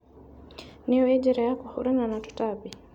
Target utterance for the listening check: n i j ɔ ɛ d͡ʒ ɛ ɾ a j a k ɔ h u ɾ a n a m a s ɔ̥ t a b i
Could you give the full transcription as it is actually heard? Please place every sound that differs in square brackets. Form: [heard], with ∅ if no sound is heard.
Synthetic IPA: n i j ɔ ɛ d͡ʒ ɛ ɾ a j a k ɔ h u ɾ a n a [n] a [t] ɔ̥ t a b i

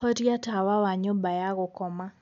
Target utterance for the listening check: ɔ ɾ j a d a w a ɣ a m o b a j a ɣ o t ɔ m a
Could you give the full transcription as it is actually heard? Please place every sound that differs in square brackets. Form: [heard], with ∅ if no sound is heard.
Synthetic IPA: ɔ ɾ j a [t] a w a [w] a [ɲ] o b a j a ɣ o [k] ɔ m a

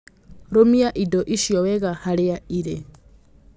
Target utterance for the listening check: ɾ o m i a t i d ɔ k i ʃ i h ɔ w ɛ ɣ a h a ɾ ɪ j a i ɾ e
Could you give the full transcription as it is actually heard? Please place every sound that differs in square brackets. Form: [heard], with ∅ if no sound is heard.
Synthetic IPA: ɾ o m i a [ʔ] i d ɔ [ʔ] i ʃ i [∅] ɔ w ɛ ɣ a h a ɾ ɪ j a i ɾ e

